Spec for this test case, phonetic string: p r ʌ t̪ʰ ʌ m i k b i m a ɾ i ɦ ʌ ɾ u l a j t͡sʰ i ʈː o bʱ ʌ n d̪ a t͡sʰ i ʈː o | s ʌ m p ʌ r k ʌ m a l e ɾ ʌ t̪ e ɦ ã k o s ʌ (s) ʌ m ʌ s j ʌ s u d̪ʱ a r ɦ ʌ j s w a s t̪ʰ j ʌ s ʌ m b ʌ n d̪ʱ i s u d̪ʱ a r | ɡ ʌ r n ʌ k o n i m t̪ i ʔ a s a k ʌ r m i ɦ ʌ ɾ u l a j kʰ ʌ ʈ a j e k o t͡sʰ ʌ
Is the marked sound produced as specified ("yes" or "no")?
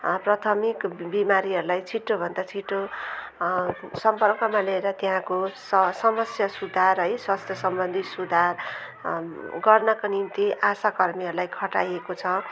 yes